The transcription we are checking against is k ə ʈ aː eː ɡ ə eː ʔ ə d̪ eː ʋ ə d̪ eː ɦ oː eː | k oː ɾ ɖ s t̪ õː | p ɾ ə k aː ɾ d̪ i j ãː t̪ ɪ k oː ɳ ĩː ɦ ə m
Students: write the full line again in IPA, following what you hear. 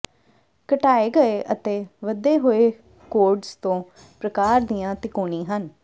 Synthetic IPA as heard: k ə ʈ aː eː ɡ ə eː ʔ ə t̪ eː ʋ ə d̪ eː ɦ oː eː | k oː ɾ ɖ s t̪ õː | p ɾ ə k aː ɾ d̪ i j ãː t̪ ɪ k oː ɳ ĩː ɦ ə n